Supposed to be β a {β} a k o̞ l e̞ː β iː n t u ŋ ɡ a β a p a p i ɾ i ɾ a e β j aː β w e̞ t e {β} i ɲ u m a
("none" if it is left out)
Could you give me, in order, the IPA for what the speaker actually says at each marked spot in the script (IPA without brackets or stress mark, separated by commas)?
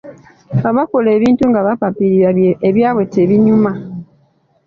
β, β